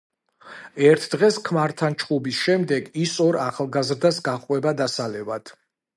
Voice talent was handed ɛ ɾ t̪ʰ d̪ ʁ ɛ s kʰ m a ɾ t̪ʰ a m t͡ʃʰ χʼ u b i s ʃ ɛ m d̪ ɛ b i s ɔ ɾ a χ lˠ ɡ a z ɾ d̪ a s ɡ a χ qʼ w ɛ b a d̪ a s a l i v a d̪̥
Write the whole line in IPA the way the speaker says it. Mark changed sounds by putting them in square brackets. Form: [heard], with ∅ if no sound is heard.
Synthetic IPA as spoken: ɛ ɾ t̪ʰ d̪ ʁ ɛ s kʰ m a ɾ t̪ʰ a [n] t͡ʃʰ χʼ u b i s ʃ ɛ m d̪ ɛ [ɡ] i s ɔ ɾ a χ lˠ ɡ a z ɾ d̪ a s ɡ a χ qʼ w ɛ b a d̪ a s a l [ɛ] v a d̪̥